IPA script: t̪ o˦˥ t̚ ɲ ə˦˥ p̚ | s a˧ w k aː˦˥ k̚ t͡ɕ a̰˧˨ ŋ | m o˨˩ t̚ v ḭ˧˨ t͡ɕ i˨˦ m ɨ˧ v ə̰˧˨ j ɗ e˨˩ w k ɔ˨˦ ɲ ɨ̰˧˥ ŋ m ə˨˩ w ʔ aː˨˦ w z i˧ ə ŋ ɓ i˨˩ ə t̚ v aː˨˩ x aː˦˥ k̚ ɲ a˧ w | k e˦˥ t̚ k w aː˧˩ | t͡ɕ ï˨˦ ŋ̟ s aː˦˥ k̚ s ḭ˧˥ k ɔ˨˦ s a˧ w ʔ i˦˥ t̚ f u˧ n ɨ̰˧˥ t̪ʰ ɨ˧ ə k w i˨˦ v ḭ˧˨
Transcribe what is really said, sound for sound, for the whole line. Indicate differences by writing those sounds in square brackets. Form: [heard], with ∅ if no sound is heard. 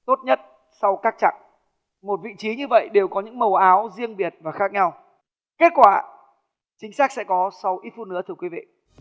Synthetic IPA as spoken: t̪ o˦˥ t̚ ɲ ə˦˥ [t̚] | s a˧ w k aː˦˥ k̚ t͡ɕ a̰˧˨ ŋ | m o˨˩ t̚ v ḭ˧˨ t͡ɕ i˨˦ [ɲ] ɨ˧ v ə̰˧˨ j ɗ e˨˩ w k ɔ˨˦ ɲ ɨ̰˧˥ ŋ m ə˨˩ w ʔ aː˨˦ w z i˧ ə ŋ ɓ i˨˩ ə t̚ v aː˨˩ x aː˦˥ k̚ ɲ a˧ w | k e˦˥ t̚ k w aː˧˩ | t͡ɕ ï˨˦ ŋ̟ s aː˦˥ k̚ s [ɛ̰˧˥] k ɔ˨˦ s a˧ w ʔ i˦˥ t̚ f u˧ n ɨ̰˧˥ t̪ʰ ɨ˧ ə k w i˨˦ v ḭ˧˨